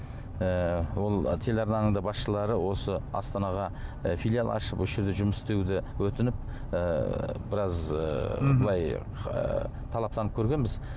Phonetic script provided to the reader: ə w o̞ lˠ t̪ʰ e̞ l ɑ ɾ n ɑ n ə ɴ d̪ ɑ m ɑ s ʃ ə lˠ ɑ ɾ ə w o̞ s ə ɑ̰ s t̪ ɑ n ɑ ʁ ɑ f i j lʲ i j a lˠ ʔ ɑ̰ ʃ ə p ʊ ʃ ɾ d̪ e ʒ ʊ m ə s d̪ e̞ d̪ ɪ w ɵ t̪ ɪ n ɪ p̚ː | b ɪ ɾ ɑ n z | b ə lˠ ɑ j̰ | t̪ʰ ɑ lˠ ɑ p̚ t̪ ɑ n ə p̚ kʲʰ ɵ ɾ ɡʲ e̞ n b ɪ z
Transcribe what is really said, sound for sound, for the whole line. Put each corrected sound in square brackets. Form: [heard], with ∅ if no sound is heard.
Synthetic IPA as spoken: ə w o̞ lˠ t̪ʰ e̞ l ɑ ɾ n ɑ n ə ɴ d̪ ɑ [b] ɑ s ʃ ə lˠ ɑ ɾ ə w o̞ s ə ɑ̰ s t̪ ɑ n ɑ ʁ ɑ f i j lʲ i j a lˠ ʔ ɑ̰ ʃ ə p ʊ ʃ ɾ d̪ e ʒ ʊ m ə s [t̪] e̞ d̪ ɪ w ɵ t̪ ɪ n ɪ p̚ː | b ɪ ɾ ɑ [∅] z | b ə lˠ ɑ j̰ | t̪ʰ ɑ lˠ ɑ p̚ t̪ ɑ n ə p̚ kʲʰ ɵ ɾ ɡʲ e̞ n b ɪ z